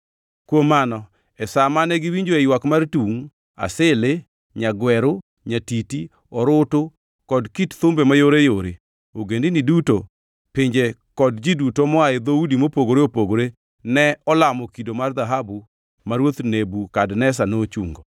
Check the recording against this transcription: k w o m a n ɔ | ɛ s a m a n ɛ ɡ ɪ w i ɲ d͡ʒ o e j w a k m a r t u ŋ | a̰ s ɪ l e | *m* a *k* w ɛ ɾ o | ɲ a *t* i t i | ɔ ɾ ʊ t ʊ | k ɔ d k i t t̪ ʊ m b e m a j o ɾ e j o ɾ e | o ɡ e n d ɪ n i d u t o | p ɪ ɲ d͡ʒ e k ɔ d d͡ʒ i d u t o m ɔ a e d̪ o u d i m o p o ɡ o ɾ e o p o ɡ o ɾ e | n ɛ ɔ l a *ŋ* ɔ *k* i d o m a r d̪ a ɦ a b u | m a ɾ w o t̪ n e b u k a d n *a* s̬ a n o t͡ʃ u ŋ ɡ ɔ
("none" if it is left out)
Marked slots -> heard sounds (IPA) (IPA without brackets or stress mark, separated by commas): ɲ, ɡ, t, m, k, ɛ